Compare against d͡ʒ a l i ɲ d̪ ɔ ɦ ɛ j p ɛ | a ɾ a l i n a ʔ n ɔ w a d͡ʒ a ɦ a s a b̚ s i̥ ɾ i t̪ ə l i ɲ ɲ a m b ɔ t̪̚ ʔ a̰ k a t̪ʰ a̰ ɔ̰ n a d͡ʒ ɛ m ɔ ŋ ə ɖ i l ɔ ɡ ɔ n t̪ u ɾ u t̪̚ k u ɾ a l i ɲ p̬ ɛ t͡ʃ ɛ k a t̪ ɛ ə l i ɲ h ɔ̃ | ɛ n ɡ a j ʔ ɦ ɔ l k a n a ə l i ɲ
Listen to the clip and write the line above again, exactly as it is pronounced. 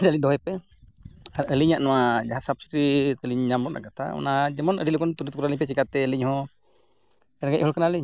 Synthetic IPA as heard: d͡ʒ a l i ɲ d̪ ɔ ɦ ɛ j p ɛ | a ɾ ə l i ɲ a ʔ n ɔ w a d͡ʒ a ɦ a s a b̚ s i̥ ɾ i t̪ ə l i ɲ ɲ a m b ɔ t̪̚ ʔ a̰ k a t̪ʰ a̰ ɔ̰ n a d͡ʒ ɛ m ɔ n ə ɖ i l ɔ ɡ ɔ n t̪ u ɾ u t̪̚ k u ɾ a l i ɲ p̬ ɛ t͡ʃ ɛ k a t̪ ɛ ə l i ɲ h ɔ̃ | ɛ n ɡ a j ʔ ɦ ɔ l k a n a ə l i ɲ

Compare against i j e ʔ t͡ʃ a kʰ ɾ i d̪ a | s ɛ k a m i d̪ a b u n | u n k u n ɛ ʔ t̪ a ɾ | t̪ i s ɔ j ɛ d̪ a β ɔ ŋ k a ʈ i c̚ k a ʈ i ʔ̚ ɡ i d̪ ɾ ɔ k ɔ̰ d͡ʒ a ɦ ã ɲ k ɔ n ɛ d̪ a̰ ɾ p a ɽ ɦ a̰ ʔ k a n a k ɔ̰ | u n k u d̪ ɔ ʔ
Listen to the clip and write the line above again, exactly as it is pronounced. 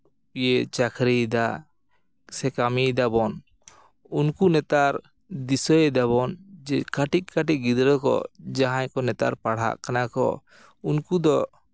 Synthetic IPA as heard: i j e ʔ t͡ʃ a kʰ ɾ i d̪ a | s ɛ k a m i d̪ a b ɔ n | u n k u n ɛ t̪ a ɾ | d̪ i s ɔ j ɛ d̪ a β ɔ n k a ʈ i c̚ k a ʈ i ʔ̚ ɡ i d̪ ɾ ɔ k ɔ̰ d͡ʒ a ɦ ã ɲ k ɔ n ɛ t̪ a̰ ɾ p a ɽ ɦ a̰ ʔ k a n a k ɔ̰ | u n k u d̪ ɔ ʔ

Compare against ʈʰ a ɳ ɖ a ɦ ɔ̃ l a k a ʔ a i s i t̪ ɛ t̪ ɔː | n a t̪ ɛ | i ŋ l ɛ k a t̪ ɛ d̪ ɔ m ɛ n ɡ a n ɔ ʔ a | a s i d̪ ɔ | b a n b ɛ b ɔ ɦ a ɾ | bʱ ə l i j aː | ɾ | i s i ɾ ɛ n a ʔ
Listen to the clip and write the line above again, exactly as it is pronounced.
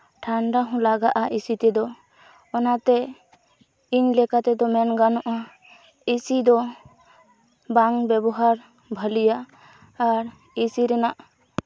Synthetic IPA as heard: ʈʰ a ɳ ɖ a ɦ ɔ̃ l a ɡ a ʔ a i s i t̪ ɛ d̪ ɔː | n a t̪ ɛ | i ɲ l ɛ k a t̪ ɛ d̪ ɔ m ɛ n ɡ a n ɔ ʔ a | i s i d̪ ɔ | b a ŋ b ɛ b ɔ ɦ a ɾ | bʱ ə l i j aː | ɾ | i s i ɾ ɛ n a ʔ

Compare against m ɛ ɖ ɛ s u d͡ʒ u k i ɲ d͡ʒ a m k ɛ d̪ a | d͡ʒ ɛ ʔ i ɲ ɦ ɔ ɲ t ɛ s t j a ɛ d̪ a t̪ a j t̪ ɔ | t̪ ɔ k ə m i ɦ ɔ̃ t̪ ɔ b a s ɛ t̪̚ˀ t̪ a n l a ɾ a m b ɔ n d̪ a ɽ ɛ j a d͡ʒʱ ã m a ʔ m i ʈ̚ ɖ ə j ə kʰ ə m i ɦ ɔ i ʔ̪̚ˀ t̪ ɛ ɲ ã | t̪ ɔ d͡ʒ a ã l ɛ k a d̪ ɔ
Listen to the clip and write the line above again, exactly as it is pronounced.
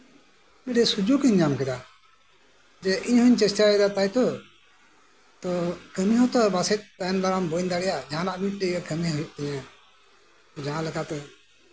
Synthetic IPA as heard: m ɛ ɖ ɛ s u d͡ʒ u k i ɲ d͡ʒ a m k ɛ d̪ a | d͡ʒ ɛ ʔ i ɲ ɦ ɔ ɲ t͡ʃ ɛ s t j a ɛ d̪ a t̪ a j t̪ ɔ | t̪ ɔ k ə m i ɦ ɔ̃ t̪ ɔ b a s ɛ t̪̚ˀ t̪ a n l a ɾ a m b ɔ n d̪ a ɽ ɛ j a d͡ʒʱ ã n a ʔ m i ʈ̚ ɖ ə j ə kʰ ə m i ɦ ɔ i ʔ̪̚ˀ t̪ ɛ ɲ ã | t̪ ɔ d͡ʒ a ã l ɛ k a t̪ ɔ

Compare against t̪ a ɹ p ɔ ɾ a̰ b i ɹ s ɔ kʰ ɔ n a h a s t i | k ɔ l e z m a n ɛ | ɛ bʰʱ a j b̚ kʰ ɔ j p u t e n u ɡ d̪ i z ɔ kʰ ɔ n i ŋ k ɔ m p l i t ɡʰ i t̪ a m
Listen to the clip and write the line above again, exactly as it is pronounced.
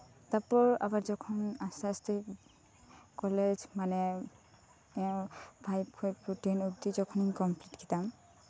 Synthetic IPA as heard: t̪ a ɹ p ɔ ɹ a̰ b a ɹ z ɔ kʰ ɔ n a s a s t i | k ɔ l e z m a n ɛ | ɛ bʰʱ a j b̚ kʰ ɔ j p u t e n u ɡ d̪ i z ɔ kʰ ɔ n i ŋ k ɔ m p l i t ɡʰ i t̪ a m

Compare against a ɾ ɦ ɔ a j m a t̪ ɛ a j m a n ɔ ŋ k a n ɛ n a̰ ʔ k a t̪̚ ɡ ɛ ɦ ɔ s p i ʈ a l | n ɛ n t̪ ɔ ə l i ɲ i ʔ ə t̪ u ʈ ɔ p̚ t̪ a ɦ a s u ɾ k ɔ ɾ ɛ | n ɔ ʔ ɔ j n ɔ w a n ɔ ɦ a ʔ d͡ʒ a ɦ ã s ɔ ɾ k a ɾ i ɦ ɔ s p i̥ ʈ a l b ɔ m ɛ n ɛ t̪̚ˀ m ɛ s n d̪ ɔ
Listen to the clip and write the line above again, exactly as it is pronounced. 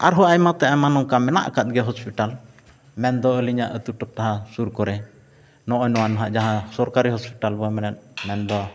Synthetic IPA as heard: a ɾ ɦ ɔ a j m a t̪ ɛ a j m a n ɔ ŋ k a m ɛ n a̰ ʔ k a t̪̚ ɡ ɛ ɦ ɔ s p i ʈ a l | m ɛ n d̪ ɔ ə l i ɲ a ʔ ə t̪ u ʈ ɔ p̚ t̪ a ɦ a s u ɾ k ɔ ɾ ɛ | n ɔ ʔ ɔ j n ɔ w a n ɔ ɦ a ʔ d͡ʒ a ɦ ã s ɔ ɾ k a ɾ i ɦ ɔ s p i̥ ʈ a l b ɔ m ɛ n ɛ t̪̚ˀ m ɛ n d̪ ɔ

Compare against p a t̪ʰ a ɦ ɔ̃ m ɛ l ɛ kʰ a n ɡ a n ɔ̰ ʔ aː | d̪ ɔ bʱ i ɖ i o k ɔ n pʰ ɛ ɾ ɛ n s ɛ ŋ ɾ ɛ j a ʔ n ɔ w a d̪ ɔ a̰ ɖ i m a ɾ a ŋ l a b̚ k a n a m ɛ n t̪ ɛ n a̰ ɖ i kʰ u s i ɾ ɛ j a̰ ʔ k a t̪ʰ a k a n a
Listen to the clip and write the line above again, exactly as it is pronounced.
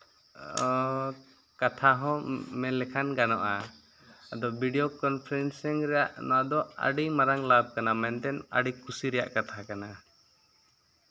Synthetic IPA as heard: k a t̪ʰ a ɦ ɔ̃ m ɛ l ɛ kʰ a n ɡ a n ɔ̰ ʔ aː | d̪ ɔ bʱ i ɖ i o k ɔ n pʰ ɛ ɾ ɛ n s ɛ ŋ ɾ ɛ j a ʔ n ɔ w a d̪ ɔ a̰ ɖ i m a ɾ a ŋ l a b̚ k a n a m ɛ n t̪ ɛ n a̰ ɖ i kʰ u s i ɾ ɛ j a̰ ʔ k a t̪ʰ a k a n a

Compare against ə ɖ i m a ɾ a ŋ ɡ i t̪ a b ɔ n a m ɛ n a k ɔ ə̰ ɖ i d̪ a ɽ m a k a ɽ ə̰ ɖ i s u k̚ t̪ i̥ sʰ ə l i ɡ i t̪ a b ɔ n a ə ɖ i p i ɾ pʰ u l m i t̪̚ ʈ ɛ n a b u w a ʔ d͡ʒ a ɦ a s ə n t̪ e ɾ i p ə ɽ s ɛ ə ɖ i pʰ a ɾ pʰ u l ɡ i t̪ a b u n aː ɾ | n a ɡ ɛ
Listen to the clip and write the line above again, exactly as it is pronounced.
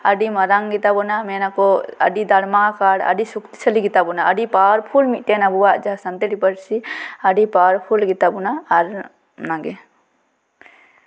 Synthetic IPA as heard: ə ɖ i m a ɾ a ŋ ɡ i t̪ a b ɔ n a m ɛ n a k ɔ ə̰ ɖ i d̪ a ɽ m a k a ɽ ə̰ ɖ i s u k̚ t̪ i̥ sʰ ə l i ɡ i t̪ a b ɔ n a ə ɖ i p a ɾ pʰ u l m i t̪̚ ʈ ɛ n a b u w a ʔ d͡ʒ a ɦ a s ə n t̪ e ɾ i p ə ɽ s i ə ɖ i p a ɾ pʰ u l ɡ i t̪ a b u n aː ɾ | n a ɡ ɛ

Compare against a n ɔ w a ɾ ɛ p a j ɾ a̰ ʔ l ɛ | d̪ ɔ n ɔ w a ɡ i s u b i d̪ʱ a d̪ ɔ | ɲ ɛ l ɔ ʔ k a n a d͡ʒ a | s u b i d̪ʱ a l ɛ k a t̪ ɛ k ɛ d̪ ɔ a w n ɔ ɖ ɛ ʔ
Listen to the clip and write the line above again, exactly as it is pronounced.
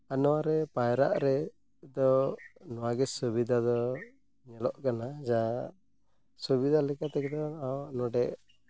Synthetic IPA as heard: a n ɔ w a ɾ ɛ p a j ɾ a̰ ʔ ɾ ɛ | d̪ ɔ n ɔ w a ɡ ɛ s u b i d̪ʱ a d̪ ɔ | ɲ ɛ l ɔ ʔ k a n a d͡ʒ a | s u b i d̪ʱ a l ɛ k a t̪ ɛ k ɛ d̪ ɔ a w n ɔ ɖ ɛ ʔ

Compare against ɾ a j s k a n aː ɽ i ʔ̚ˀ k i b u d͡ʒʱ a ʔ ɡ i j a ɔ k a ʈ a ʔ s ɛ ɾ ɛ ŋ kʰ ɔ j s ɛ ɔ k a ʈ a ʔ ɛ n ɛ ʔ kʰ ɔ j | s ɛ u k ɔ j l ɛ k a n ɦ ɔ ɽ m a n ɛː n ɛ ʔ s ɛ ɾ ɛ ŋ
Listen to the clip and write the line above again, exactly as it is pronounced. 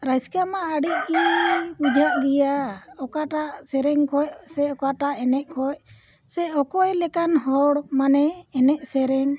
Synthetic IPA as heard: ɾ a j s k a m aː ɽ i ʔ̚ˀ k i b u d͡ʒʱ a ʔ ɡ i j a ɔ k a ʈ a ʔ s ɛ ɾ ɛ ŋ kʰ ɔ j s ɛ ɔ k a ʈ a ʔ ɛ n ɛ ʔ kʰ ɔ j | s ɛ ɔ k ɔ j l ɛ k a n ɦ ɔ ɽ m a n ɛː n ɛ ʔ s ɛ ɾ ɛ ŋ

